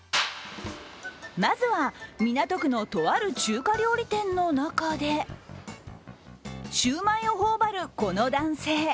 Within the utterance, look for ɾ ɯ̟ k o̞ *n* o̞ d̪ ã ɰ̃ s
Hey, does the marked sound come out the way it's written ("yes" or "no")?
yes